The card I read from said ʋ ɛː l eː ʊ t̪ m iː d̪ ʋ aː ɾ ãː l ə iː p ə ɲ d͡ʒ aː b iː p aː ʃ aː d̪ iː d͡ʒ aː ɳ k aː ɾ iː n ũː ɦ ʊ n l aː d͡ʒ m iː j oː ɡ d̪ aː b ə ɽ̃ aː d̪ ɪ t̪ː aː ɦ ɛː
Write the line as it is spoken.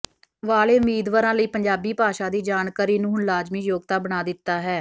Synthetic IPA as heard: ʋ aː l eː ʊ m iː d̪ ʋ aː ɾ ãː l ə iː p ə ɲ d͡ʒ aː b iː p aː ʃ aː d̪ iː d͡ʒ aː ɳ k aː ɾ iː n ũː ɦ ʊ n l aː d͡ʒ m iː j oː ɡ t̪ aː b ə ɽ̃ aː d̪ ɪ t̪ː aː ɦ ɛː